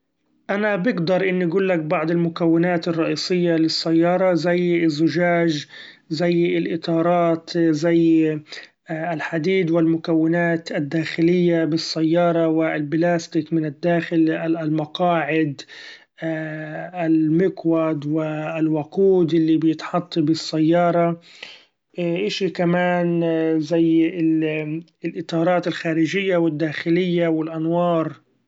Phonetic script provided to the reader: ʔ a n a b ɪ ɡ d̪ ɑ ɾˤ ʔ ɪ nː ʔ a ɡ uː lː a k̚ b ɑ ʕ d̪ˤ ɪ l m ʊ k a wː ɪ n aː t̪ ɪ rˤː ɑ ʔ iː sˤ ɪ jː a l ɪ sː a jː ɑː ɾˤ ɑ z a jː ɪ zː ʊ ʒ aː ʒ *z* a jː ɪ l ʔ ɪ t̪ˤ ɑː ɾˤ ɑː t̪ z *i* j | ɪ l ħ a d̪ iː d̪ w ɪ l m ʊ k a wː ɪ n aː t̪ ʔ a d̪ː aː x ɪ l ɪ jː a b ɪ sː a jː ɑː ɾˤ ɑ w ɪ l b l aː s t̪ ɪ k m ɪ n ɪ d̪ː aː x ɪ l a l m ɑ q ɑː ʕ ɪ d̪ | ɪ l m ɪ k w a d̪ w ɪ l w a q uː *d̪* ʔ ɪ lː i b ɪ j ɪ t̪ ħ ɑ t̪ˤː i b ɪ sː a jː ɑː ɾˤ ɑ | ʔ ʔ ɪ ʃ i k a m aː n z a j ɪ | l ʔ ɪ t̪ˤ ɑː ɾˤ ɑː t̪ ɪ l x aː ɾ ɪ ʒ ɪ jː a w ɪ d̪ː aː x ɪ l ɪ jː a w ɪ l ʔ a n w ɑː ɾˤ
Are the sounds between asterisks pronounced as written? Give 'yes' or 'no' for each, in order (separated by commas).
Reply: yes, no, yes